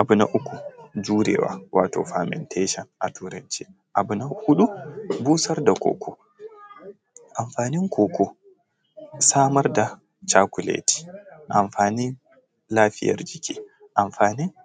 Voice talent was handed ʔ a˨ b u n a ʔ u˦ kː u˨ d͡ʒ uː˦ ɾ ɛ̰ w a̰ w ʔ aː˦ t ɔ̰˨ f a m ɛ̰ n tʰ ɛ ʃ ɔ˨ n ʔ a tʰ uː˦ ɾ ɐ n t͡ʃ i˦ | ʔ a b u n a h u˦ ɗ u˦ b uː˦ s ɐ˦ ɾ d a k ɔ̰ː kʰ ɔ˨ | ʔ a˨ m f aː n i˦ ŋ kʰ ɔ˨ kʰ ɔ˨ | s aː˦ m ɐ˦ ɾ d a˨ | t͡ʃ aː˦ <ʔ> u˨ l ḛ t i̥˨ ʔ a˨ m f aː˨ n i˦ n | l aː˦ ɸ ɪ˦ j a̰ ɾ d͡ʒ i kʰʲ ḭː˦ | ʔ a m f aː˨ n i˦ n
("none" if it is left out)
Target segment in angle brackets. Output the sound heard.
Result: k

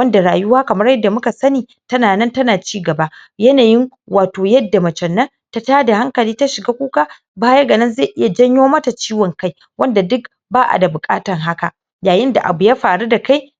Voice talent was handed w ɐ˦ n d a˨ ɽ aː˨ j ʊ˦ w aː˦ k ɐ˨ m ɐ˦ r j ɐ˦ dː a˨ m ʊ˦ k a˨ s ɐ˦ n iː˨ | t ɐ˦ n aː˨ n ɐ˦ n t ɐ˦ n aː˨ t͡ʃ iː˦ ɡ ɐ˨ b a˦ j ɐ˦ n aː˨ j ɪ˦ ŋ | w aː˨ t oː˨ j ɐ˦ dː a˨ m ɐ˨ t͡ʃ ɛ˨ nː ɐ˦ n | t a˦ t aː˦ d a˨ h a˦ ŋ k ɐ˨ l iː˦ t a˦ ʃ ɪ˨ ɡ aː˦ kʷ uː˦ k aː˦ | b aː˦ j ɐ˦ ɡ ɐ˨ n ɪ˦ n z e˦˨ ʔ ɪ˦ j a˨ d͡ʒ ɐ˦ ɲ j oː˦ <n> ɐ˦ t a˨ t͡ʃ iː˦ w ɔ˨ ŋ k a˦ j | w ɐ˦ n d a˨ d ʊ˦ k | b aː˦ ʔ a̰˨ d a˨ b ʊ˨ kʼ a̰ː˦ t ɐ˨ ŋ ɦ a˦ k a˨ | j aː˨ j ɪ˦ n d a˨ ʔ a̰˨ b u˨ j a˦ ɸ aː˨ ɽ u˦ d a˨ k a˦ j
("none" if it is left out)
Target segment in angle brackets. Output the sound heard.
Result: m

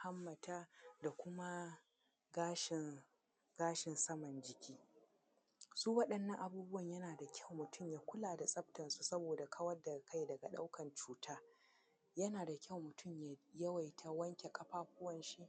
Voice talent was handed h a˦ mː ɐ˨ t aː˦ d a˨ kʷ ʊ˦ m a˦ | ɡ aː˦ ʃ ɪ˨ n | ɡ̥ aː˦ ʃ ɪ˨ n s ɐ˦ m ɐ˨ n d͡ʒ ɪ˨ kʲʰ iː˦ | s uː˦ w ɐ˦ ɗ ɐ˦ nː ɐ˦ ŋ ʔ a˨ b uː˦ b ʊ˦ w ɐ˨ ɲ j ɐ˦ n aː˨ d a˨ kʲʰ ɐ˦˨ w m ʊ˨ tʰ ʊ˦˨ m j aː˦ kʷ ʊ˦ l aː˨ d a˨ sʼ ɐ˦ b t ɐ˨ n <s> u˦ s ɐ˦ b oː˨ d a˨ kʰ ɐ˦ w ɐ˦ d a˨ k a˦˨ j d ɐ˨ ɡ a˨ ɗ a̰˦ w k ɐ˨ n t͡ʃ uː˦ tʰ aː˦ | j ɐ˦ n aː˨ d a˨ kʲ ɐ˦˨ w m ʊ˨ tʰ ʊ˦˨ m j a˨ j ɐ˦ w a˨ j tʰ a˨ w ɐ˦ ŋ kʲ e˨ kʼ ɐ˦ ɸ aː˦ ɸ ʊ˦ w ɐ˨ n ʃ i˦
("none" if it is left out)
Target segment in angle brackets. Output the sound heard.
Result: s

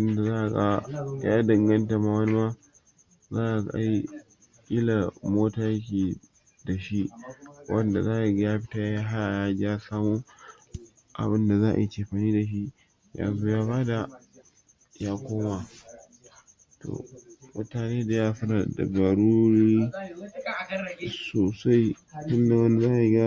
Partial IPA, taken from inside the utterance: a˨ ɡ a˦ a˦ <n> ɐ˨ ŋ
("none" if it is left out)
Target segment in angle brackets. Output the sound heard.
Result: d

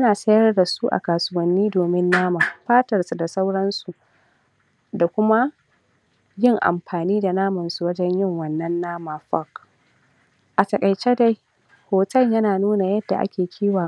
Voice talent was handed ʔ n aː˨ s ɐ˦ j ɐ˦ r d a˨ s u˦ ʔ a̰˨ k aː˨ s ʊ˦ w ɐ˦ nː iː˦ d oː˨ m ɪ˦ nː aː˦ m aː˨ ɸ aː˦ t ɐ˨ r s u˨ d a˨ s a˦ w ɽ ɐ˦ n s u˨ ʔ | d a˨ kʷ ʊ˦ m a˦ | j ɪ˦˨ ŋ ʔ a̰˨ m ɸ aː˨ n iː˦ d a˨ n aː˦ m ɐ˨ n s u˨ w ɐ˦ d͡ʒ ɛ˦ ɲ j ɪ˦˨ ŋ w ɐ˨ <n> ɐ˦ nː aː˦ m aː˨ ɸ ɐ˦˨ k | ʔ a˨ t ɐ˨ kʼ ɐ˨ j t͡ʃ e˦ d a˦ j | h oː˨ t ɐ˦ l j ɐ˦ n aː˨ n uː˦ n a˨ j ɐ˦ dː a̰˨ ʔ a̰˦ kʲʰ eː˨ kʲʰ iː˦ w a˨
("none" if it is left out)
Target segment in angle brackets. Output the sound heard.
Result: nː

